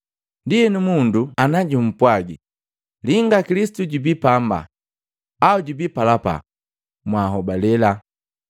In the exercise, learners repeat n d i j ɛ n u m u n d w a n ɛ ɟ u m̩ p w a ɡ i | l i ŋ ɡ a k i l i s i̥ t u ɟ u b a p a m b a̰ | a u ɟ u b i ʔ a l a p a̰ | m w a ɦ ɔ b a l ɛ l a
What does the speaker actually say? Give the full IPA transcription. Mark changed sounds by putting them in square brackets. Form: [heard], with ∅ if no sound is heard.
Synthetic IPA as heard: n d i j ɛ n u m u n d [u] a n [a] ɟ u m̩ p w a ɡ i | l i ŋ ɡ a k i l i s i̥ t u ɟ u b [i] p a m b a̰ | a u ɟ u b i [p] a l a p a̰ | m w a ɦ ɔ b a l ɛ l a